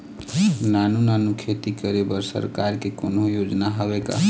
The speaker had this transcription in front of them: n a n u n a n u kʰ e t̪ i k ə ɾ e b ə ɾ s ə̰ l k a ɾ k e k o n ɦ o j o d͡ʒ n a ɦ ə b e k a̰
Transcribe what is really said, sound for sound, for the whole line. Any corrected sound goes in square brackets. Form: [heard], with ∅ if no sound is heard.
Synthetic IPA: n a n u n a n u kʰ e t̪ i k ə ɾ e b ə ɾ s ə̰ [ɾ] k a ɾ k e k o n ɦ o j o d͡ʒ n a ɦ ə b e k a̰